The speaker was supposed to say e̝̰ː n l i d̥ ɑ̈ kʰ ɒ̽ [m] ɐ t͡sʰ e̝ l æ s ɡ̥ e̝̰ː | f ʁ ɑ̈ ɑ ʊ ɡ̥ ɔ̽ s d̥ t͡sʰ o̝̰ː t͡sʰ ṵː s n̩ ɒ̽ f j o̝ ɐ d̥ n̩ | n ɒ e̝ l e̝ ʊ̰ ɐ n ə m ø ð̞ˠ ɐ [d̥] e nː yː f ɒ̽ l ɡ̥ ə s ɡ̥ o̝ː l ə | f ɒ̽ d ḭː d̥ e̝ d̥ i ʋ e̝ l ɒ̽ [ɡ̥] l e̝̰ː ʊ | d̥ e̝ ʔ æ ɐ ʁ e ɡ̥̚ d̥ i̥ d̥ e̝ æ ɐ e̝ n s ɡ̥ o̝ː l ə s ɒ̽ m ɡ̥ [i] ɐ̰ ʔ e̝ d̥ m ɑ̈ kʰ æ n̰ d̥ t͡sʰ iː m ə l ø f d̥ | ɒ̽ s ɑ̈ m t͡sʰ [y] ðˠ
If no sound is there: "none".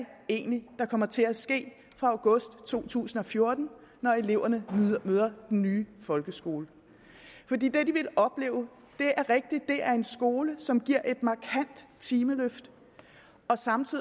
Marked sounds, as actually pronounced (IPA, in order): m, d̥, b̥, i, i

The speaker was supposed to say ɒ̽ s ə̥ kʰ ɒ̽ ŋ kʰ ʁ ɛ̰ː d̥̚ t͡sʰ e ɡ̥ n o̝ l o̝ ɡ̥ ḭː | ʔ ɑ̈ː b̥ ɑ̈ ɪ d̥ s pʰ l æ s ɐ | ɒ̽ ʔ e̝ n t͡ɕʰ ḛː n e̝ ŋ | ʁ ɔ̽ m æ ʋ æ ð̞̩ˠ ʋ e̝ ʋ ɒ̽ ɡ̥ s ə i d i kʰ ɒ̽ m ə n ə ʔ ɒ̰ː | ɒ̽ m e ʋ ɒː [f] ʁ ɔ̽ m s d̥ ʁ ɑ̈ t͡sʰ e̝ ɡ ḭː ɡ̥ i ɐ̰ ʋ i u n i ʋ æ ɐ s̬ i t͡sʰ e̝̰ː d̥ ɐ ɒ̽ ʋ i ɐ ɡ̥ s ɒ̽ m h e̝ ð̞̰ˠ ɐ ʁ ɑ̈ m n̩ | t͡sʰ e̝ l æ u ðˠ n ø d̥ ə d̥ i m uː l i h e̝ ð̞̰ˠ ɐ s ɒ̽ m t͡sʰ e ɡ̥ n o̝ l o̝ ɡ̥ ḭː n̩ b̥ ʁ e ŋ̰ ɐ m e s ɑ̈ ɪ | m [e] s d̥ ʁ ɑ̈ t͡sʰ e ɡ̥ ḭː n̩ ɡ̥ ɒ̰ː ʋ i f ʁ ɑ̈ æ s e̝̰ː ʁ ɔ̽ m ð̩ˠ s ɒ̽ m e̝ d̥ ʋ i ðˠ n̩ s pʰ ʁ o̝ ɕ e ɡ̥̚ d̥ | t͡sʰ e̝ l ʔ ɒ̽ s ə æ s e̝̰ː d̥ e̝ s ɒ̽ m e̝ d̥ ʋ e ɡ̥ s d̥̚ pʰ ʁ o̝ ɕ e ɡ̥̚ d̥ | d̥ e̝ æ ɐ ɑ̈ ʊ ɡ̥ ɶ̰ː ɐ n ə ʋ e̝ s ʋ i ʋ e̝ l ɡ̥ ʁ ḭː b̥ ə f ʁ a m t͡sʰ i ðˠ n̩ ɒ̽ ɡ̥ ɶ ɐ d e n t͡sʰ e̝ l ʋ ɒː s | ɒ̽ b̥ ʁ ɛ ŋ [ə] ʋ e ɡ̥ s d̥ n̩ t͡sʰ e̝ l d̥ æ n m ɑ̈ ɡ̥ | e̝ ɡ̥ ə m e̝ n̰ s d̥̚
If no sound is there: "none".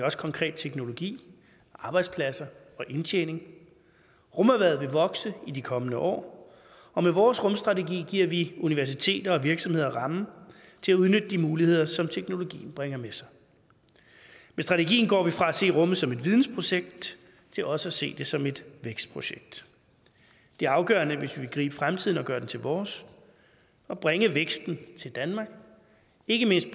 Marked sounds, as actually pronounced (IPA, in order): s, e, ə

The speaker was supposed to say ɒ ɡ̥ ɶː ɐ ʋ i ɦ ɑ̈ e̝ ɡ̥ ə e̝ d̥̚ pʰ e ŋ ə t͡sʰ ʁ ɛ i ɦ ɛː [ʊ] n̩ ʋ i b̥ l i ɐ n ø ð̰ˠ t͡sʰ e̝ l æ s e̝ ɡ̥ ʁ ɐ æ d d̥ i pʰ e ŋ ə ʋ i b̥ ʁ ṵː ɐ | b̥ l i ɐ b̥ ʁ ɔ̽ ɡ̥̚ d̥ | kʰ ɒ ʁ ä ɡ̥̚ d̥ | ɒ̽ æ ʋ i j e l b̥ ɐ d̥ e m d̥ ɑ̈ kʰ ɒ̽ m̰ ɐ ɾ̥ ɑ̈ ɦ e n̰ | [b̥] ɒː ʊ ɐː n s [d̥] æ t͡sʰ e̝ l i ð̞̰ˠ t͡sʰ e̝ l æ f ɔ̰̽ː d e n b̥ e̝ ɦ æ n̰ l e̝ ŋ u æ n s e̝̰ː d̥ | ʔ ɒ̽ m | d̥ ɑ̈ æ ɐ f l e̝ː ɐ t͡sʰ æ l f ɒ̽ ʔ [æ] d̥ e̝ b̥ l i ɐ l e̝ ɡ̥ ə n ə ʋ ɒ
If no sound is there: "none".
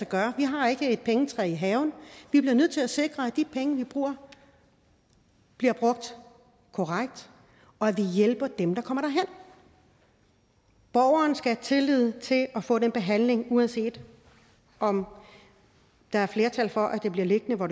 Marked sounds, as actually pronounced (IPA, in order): ʊ, b̥, ɡ̥, æ

